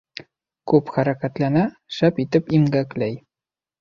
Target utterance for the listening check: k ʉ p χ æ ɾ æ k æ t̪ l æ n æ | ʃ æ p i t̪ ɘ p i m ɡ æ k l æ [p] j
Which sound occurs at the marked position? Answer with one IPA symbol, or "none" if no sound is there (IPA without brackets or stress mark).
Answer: none